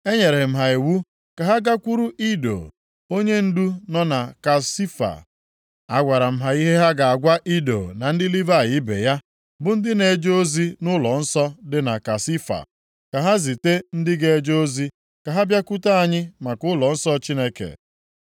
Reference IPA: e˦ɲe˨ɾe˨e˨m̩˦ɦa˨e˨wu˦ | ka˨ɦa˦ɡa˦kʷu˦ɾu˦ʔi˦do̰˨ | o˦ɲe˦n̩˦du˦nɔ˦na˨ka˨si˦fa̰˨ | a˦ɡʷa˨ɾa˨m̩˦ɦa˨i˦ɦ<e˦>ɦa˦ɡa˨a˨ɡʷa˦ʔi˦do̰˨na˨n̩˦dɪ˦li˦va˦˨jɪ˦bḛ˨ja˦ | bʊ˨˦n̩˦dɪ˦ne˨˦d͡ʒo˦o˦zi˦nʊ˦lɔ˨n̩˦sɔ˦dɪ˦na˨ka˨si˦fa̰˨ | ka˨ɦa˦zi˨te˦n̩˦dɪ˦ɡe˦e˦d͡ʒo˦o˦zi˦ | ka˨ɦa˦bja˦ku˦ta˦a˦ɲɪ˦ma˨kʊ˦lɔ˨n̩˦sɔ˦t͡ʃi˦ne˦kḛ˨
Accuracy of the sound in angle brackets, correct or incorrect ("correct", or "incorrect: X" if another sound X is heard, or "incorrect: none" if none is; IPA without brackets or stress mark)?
correct